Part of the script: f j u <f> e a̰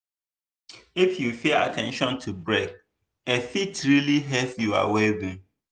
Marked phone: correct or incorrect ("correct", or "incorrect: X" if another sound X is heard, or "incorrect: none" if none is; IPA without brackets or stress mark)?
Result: correct